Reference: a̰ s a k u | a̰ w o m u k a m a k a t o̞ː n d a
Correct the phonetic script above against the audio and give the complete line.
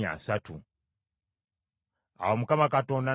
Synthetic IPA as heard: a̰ s a t u | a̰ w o m u k a m a k a t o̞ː n d a